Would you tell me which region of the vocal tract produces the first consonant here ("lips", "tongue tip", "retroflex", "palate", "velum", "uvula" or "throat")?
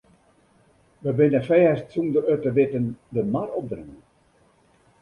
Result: lips